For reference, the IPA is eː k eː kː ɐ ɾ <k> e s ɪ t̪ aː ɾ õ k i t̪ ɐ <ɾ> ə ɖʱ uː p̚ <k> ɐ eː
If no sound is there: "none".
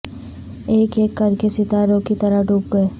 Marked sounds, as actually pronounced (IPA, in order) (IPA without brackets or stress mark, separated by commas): k, ɾ, ɡ